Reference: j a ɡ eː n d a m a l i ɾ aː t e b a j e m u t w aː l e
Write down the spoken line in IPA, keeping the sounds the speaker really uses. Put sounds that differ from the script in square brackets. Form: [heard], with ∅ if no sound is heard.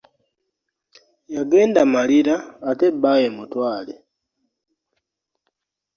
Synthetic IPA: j a ɡ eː n d a m a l i ɾ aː t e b a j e m u t w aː l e

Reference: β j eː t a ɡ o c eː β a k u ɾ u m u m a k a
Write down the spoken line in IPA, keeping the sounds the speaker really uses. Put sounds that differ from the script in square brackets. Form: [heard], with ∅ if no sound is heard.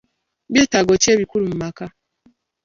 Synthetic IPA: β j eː t a ɡ o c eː β [i] k u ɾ u m u m a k a

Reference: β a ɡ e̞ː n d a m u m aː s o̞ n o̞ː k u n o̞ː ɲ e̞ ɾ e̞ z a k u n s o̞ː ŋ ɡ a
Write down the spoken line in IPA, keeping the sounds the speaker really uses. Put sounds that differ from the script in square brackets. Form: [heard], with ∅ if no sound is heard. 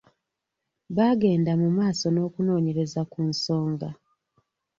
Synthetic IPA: β a ɡ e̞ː n d a m u m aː s o̞ n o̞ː k u n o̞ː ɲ e̞ ɾ e̞ z a k u n s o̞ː ŋ ɡ a

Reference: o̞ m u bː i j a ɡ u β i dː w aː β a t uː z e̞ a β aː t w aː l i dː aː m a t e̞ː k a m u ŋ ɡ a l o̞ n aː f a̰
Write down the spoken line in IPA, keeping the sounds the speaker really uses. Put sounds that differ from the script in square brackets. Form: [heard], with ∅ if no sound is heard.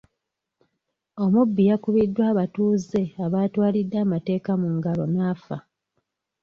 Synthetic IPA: o̞ m u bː i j a [k] u β i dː w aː β a t uː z e̞ a β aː t w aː l i dː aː m a t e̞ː k a m u ŋ ɡ a l o̞ n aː f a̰

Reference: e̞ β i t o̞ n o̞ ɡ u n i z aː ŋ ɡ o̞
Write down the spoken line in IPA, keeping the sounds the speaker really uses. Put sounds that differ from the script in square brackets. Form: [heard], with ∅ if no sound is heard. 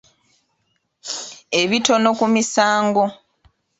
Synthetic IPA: e̞ β i t o̞ n o̞ [k] u [m] i [s] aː ŋ ɡ o̞

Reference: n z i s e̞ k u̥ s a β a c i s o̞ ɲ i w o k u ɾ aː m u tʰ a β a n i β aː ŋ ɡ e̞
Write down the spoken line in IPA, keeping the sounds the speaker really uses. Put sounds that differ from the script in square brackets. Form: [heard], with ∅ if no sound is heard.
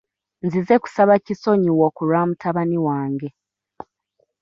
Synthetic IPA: n z i [z] e̞ k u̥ s a β a c i s o̞ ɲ i w o k u ɾ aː m u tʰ a β a n i [w] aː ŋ ɡ e̞

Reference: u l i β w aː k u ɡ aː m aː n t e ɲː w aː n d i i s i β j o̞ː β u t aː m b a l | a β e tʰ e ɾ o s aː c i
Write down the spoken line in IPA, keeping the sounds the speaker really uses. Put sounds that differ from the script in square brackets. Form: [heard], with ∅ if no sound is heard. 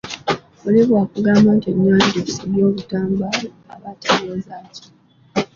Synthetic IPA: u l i β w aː k u ɡ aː m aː n t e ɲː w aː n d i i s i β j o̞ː β u t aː m b a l | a β [a] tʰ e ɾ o [z] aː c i

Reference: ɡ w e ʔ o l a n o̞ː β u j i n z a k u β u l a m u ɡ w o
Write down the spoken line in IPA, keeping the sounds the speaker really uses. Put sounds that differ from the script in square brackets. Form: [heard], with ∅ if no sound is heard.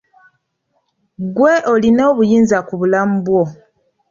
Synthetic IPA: ɡ w e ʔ o l [i] n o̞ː β u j [iː] n z a k u β u l a m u [b] w o

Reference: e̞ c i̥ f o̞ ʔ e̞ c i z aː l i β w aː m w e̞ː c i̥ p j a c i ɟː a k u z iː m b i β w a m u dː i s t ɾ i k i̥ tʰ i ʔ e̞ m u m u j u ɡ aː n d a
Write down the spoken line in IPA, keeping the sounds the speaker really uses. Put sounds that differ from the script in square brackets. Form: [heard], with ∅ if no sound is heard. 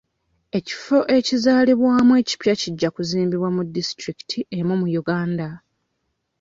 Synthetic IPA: e̞ c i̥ f o̞ ʔ e̞ c i z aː l i β w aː m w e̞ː c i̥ p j a c i ɟː a k u z iː m b i β w a m u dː i s t ɾ i k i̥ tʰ i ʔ e̞ m u m u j u ɡ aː n d a

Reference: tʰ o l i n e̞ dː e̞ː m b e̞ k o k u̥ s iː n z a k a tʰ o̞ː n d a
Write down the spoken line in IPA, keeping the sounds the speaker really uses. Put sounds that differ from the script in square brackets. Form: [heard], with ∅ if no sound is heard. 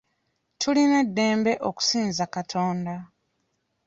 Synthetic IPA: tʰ [u] l i n e̞ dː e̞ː m b e̞ [ʔ] o k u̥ s iː n z a k a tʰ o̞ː n d a

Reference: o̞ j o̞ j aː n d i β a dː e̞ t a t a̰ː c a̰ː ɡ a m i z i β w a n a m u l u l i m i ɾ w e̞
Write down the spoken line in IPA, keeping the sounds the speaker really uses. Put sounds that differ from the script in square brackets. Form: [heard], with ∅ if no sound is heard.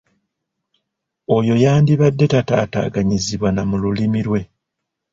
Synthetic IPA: o̞ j o̞ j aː n d i β a dː e̞ t a t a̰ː [t] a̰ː ɡ a [ɲ] i z i β w a n a m u l u l i m i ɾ w e̞

